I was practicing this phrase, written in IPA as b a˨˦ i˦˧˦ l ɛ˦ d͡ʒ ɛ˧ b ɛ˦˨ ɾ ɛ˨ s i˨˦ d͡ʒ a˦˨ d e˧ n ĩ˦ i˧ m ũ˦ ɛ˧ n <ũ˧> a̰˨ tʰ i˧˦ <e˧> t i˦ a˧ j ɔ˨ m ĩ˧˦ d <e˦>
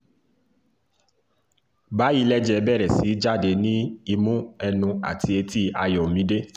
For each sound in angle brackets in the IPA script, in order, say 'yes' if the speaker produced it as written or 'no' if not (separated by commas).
yes, yes, yes